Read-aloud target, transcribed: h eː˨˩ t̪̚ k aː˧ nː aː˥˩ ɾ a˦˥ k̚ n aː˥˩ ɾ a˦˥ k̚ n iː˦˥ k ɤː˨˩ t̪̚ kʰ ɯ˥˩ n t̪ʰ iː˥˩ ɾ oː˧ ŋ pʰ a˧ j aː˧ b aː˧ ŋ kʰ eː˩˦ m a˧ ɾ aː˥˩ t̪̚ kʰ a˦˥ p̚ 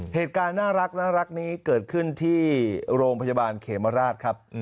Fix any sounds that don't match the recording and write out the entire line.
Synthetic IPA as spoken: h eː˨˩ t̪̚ k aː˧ nː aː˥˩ ɾ a˦˥ k̚ n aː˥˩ ɾ a˦˥ k̚ n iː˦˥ k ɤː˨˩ t̪̚ kʰ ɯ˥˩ n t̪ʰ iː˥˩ ɾ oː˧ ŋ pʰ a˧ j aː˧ b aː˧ n kʰ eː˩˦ m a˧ ɾ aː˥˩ t̪̚ kʰ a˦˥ p̚